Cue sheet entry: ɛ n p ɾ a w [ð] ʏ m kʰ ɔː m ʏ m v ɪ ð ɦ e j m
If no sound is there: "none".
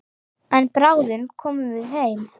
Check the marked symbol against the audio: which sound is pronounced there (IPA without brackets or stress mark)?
ð